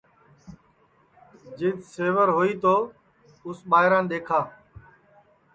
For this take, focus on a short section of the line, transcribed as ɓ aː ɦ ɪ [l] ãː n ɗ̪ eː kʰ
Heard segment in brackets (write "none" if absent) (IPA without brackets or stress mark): ɾ